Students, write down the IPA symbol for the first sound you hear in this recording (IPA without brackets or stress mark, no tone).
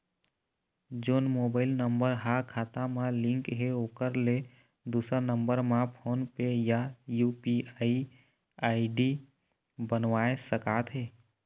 d͡ʒ